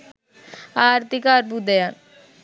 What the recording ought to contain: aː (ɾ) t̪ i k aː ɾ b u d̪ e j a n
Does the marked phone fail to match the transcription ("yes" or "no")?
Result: no